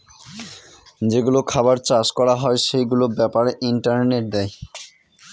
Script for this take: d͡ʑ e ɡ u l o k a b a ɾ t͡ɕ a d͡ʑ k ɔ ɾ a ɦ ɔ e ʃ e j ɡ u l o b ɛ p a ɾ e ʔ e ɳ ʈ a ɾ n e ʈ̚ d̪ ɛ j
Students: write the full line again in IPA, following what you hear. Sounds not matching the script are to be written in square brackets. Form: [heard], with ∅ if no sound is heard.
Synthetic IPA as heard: d͡ʑ e ɡ u l o [kʰ] a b a ɾ t͡ɕ a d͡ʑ k ɔ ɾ a ɦ ɔ e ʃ e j ɡ u l o b ɛ p a ɾ e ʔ [i] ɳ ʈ a ɾ n e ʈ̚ d̪ ɛ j